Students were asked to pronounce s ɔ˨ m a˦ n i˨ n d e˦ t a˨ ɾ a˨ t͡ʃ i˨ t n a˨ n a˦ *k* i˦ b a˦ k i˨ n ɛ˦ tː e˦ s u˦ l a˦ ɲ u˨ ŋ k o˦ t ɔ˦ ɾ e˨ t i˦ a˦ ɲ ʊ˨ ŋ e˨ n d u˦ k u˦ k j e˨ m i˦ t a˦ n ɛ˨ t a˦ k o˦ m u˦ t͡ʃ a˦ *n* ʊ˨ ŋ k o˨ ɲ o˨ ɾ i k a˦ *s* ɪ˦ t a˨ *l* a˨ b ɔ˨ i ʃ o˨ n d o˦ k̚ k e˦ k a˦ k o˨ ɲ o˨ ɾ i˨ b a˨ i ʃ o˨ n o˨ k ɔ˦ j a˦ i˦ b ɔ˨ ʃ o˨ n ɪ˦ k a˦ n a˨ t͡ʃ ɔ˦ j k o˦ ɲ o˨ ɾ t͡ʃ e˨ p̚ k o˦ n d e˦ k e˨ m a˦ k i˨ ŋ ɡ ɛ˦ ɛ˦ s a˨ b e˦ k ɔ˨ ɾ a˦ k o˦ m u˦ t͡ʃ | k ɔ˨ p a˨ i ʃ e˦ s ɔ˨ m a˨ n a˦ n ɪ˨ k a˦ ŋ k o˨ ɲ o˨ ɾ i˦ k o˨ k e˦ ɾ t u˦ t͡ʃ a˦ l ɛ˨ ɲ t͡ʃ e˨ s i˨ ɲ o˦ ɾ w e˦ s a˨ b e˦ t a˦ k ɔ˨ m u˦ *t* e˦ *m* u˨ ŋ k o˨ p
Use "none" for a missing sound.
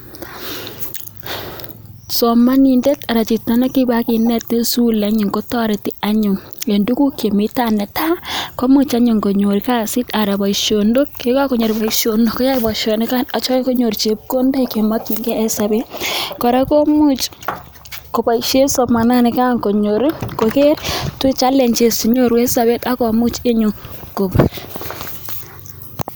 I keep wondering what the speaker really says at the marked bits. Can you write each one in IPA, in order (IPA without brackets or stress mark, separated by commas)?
k, ɲ, s, ɾ, t͡ʃ, ɲ